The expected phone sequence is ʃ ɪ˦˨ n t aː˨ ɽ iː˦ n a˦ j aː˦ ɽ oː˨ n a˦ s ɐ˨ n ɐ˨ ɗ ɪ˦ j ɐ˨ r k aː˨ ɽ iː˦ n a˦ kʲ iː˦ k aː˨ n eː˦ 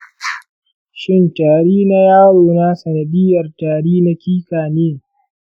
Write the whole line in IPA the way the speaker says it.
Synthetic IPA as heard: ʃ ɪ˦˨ n t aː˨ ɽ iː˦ n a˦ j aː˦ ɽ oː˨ n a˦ s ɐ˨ n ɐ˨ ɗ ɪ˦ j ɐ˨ r t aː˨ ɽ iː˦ n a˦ kʲ iː˦ k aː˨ n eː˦